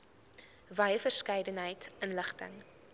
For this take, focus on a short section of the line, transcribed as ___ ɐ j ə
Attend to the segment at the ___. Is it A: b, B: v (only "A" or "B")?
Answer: B